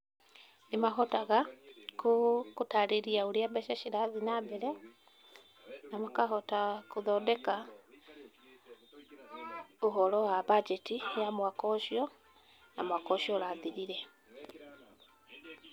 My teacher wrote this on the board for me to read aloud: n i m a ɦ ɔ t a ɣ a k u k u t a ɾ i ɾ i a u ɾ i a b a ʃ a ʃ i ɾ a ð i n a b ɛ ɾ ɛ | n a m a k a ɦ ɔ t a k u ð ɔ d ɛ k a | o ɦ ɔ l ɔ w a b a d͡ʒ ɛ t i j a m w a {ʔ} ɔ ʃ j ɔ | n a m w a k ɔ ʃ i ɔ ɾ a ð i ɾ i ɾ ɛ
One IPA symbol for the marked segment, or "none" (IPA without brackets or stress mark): k